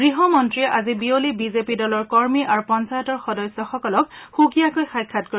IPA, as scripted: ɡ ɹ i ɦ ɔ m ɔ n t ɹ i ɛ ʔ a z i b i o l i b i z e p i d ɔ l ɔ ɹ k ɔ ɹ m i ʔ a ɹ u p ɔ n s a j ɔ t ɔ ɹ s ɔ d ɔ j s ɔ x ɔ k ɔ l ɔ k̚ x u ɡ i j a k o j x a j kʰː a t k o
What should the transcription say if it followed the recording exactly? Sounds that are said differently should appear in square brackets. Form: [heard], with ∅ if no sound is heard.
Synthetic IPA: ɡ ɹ i ɦ ɔ m ɔ n t ɹ i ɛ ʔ a z i b i o l i b i z e p i d ɔ l ɔ ɹ k ɔ ɹ m i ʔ a ɹ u p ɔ n s a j ɔ t ɔ ɹ [x] ɔ d ɔ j s ɔ x ɔ k ɔ l ɔ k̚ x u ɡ i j a k o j x a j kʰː a t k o